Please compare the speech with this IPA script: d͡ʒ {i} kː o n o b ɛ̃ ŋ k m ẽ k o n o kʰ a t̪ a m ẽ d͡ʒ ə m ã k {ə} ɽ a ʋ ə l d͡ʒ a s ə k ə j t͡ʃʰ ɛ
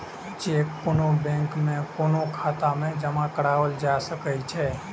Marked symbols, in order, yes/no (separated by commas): no, yes